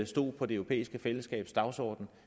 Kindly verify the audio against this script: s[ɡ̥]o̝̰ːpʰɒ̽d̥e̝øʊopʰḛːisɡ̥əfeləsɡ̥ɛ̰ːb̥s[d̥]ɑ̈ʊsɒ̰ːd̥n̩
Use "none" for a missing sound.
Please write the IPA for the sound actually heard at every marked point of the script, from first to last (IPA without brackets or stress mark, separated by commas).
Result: d̥, d̥